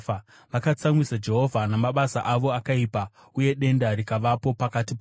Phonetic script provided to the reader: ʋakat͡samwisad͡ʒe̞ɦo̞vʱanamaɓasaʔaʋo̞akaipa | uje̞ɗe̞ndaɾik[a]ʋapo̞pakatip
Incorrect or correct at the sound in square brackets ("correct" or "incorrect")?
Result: correct